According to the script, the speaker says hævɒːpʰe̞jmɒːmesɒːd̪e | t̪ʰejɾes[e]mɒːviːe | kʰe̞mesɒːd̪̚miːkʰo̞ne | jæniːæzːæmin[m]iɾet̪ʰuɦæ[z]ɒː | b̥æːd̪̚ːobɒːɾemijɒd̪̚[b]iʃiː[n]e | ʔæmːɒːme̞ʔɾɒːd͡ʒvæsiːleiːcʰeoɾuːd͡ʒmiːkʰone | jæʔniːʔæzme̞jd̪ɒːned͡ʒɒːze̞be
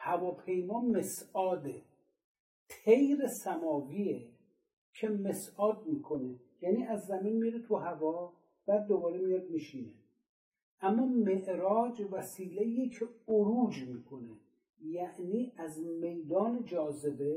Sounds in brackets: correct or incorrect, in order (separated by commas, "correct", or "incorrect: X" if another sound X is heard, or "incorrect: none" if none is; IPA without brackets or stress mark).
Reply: incorrect: æ, correct, incorrect: v, incorrect: m, correct